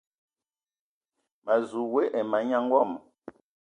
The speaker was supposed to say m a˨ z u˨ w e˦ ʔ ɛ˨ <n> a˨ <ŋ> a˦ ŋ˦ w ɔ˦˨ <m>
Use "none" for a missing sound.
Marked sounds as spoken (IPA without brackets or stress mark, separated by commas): m, ɲ, m